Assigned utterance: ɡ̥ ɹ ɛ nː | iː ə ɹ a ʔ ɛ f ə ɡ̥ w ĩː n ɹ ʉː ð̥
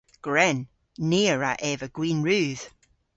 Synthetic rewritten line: ɡ̥ ɹ ɛ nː | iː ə ɹ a ʔ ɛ v ə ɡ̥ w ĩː n ɹ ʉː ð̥